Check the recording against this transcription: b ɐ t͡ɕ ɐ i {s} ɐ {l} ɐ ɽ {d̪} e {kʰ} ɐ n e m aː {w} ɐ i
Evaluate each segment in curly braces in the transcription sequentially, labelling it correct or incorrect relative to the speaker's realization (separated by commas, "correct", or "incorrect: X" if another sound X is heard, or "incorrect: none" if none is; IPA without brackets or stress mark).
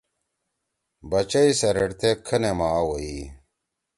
correct, incorrect: ɾ, incorrect: t̪, correct, correct